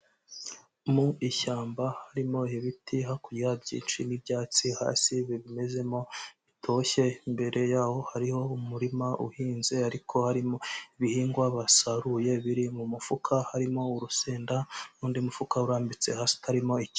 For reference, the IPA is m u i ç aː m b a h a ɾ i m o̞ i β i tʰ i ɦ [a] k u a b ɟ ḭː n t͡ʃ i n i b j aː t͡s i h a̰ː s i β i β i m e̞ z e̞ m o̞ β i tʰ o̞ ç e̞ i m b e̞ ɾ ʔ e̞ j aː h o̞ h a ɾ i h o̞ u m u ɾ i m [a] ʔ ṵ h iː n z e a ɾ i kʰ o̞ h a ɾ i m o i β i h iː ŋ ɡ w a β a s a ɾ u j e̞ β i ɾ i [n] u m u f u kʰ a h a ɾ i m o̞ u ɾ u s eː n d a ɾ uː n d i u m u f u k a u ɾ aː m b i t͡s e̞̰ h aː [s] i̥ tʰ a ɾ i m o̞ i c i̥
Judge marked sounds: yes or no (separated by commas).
yes, yes, no, yes